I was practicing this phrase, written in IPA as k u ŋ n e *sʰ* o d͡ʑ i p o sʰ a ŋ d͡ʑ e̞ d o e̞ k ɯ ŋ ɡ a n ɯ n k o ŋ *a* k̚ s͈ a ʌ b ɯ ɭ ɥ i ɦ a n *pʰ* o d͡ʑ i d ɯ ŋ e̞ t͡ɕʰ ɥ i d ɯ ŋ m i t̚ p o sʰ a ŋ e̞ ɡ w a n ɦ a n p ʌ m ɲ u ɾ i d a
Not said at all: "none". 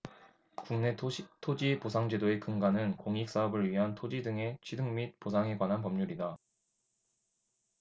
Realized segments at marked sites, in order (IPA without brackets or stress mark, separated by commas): tʰ, i, tʰ